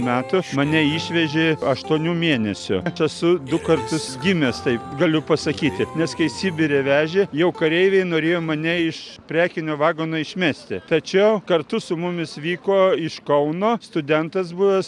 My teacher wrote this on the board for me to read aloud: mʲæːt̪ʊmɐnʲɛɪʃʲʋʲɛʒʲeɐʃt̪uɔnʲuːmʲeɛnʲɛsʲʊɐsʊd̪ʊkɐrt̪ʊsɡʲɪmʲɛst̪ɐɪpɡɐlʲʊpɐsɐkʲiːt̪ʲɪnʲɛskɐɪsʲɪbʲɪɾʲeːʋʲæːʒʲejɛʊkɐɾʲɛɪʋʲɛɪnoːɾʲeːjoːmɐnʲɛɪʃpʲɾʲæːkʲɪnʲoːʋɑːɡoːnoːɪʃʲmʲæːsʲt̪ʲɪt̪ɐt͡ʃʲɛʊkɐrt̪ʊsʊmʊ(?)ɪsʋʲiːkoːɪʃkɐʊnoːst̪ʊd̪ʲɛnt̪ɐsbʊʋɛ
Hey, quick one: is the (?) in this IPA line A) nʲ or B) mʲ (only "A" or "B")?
B